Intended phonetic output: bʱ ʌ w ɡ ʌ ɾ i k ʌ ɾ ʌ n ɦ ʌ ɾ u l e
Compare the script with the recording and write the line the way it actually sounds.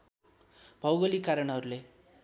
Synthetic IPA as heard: bʱ ʌ w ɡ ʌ l i k a ɾ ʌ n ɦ ʌ ɾ u l e